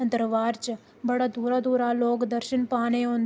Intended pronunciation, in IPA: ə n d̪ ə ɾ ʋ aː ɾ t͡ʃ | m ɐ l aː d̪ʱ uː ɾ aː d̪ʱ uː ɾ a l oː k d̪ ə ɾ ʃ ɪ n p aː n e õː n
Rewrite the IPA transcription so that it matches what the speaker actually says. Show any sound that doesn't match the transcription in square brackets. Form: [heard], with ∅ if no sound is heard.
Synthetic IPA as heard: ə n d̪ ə ɾ ʋ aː ɾ t͡ʃ | [b] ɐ [ɽ] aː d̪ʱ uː ɾ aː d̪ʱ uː ɾ a l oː k d̪ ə ɾ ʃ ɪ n p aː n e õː n